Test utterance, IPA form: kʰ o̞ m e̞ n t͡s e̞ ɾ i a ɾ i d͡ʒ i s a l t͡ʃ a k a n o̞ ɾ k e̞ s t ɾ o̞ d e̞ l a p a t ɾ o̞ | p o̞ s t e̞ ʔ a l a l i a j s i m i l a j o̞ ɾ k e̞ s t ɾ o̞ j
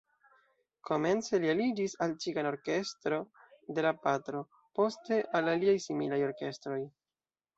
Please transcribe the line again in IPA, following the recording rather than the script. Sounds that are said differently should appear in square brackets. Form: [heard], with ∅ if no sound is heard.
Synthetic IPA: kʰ o̞ m e̞ n t͡s e̞ [l] i a [l] i d͡ʒ i s a l t͡ʃ [i] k a n o̞ ɾ k e̞ s t ɾ o̞ d e̞ l a p a t ɾ o̞ | p o̞ s t e̞ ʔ a l a l i a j s i m i l a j o̞ ɾ k e̞ s t ɾ o̞ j